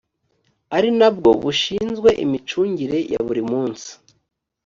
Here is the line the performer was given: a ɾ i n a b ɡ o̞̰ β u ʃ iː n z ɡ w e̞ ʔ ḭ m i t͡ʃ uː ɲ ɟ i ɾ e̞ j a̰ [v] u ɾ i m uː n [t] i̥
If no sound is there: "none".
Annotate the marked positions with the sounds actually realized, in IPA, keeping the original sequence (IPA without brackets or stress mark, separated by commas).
β, s